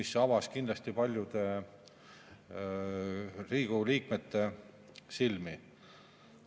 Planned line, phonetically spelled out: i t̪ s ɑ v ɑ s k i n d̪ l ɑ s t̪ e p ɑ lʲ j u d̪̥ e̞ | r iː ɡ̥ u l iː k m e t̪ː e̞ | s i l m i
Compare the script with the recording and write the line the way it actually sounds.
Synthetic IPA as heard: i s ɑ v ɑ s k i n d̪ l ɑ s t̪ i p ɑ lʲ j u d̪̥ e̞ | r iː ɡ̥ u l iː k m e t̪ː e̞ | s i l m i